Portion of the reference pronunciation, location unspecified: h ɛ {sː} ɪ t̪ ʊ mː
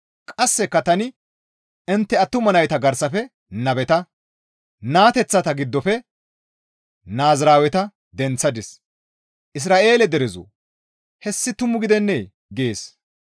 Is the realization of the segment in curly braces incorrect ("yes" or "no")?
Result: no